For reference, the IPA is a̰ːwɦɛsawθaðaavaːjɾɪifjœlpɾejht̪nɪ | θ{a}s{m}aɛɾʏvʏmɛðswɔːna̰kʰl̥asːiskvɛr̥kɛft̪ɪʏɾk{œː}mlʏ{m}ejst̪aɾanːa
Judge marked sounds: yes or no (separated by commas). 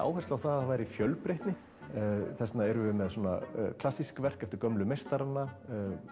no, no, no, yes